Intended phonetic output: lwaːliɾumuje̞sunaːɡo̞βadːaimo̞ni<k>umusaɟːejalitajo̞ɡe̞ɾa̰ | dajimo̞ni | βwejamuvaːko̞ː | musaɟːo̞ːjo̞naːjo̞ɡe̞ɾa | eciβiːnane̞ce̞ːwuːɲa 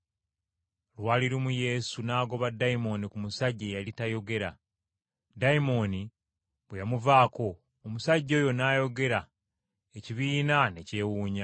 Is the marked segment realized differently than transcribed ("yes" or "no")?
no